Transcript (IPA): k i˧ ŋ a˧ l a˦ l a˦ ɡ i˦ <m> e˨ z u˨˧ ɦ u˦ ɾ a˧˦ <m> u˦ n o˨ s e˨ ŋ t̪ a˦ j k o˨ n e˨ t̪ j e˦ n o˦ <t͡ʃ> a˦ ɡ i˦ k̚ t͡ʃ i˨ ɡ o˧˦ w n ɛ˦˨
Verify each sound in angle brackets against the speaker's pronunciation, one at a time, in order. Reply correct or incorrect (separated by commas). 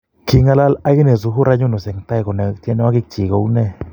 incorrect, incorrect, incorrect